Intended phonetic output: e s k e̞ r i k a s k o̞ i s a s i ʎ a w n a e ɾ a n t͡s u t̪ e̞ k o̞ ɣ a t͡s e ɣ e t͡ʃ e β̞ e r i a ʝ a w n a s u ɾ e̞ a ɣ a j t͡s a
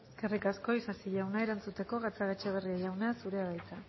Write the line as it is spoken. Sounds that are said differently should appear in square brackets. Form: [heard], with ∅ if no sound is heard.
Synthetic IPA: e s k e̞ r i k a s k o̞ i s a s i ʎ a w n a e ɾ a n t͡s u t̪ e̞ k o̞ ɣ a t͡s [a] ɣ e t͡ʃ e β̞ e r i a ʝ a w n a s u ɾ e̞ a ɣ a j t͡s a